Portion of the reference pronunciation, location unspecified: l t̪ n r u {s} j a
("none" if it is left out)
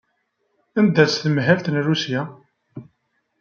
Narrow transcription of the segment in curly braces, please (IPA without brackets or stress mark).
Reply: s